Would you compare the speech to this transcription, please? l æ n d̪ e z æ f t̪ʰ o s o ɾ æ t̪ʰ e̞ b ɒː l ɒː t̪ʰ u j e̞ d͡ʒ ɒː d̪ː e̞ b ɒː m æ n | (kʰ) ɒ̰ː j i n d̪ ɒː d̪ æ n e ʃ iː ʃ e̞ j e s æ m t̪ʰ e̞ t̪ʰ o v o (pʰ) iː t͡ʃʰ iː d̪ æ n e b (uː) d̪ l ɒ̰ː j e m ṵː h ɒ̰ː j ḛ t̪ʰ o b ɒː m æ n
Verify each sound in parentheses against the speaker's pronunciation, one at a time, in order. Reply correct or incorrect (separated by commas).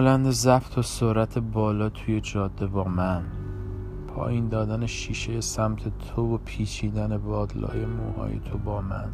incorrect, correct, incorrect